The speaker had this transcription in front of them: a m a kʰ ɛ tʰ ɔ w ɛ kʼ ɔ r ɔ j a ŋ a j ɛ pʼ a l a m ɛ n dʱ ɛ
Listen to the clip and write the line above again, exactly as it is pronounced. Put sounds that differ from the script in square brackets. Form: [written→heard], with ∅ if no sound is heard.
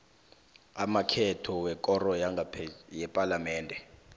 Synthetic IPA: a m a kʰ ɛ tʰ ɔ w ɛ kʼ ɔ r ɔ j a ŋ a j ɛ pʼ a l a m [ɛ→ɛː] n dʱ ɛ